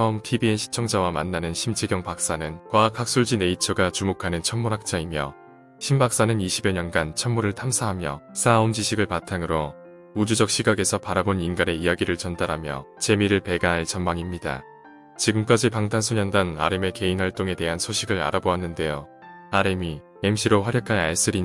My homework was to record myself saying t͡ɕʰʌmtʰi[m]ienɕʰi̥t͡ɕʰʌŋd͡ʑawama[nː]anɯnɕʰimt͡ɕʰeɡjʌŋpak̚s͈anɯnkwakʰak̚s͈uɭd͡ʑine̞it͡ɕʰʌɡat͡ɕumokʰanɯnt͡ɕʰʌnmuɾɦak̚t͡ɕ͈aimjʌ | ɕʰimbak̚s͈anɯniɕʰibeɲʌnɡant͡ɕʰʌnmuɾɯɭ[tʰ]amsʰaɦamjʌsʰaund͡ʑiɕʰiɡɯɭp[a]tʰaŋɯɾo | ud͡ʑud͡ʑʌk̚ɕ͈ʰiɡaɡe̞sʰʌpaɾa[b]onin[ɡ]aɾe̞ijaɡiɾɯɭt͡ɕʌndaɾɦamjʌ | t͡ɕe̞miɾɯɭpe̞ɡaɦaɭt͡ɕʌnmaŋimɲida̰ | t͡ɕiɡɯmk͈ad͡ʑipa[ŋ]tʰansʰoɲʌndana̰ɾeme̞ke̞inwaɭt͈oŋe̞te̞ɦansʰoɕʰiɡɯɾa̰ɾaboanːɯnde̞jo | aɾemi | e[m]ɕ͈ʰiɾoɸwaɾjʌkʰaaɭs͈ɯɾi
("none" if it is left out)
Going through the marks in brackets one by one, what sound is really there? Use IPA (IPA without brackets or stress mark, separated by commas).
b, nː, tʰ, a, b, ɡ, ŋ, m